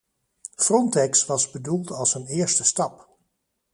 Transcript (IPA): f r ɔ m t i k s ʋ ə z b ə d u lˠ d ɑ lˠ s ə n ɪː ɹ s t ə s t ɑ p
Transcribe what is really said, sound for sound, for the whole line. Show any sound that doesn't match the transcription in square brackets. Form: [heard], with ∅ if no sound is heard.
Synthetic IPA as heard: f r ɔ [n] t [ɛ] k s ʋ [ɑ] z b ə d u lˠ [t] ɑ lˠ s ə n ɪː ɹ s t ə s t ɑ p